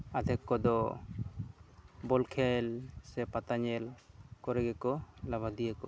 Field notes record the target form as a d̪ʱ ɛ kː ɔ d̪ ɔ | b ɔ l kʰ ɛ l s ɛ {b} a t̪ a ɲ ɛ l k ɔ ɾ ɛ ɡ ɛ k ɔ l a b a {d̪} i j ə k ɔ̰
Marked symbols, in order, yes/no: no, yes

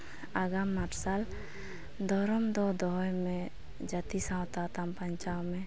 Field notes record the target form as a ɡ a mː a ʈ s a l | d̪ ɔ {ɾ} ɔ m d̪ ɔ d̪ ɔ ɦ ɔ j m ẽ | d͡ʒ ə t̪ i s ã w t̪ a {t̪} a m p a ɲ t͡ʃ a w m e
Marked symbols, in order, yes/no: yes, yes

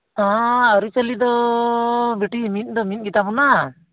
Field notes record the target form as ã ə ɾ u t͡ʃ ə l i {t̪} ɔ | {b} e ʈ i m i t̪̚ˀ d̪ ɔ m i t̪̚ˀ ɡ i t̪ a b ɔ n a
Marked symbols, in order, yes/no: no, yes

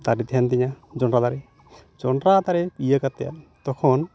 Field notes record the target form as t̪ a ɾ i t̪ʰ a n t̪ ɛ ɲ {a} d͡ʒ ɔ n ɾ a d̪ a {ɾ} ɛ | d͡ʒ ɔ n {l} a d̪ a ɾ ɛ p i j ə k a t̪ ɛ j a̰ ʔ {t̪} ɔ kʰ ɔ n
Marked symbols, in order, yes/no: yes, yes, no, yes

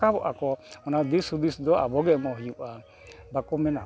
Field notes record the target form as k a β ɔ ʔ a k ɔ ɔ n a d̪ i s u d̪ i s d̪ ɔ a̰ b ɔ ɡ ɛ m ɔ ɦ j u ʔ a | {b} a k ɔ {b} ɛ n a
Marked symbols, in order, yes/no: yes, no

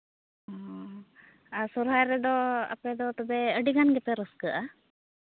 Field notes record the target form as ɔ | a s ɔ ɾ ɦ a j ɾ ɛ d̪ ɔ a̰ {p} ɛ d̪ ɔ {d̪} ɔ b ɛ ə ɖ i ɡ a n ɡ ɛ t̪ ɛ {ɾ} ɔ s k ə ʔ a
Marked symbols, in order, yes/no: yes, no, yes

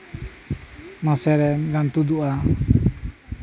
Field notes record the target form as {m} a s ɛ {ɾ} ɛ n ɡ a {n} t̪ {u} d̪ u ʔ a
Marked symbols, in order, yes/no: yes, yes, yes, yes

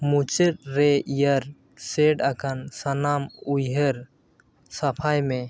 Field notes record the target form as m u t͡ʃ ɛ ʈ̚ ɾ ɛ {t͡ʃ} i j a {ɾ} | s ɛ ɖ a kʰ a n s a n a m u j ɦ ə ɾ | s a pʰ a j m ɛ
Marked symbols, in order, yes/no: no, yes

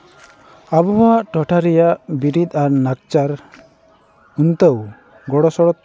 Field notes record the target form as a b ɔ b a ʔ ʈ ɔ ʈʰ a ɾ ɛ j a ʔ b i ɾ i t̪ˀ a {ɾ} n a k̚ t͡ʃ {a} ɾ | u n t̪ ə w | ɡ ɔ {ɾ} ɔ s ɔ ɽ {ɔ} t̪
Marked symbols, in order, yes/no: yes, yes, no, yes

